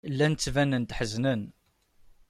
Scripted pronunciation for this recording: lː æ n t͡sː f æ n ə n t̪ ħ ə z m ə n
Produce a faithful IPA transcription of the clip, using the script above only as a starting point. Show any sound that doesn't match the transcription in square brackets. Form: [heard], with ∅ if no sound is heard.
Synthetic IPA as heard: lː æ n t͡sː [v] æ n ə n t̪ ħ ə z [n] ə n